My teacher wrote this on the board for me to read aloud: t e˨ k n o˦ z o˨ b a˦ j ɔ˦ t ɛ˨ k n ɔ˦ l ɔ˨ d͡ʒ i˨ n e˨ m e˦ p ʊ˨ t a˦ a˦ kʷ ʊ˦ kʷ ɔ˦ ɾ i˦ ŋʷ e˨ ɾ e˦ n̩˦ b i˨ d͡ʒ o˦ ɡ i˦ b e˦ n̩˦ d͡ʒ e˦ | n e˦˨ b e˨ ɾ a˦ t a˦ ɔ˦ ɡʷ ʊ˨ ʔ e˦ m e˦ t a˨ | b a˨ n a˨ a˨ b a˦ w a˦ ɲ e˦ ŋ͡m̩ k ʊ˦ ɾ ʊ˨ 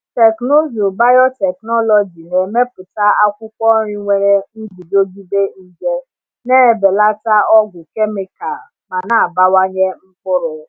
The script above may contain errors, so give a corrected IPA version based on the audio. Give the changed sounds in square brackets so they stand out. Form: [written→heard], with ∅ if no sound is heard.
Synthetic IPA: t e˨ k n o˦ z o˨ b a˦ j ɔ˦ t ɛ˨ k n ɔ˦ l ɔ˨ d͡ʒ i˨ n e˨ m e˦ p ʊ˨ t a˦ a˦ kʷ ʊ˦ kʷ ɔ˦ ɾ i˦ ŋʷ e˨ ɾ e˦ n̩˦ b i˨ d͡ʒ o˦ ɡ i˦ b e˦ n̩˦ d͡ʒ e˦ | n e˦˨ b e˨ [ɾ→l] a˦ t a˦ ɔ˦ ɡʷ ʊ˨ [ʔ→k] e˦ m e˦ [t→k] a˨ | [b→m] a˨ n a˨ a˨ b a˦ w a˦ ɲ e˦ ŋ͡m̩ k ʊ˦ ɾ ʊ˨